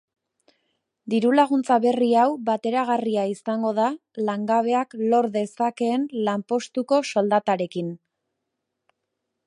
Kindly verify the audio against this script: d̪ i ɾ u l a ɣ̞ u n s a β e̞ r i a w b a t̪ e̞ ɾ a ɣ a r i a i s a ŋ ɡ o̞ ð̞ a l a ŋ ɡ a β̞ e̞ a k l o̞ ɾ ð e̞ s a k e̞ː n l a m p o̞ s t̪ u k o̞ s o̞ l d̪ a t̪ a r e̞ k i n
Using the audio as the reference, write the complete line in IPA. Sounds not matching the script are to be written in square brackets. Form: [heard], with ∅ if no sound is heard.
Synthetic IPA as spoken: d̪ i ɾ u l a ɣ̞ u n [t͡s] a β e̞ r i a w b a t̪ e̞ ɾ a ɣ a r i a i s a ŋ ɡ o̞ ð̞ a l a ŋ ɡ a β̞ e̞ a k l o̞ ɾ ð e̞ s a k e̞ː n l a m p o̞ s t̪ u k o̞ s o̞ l d̪ a t̪ a [ɾ] e̞ k i n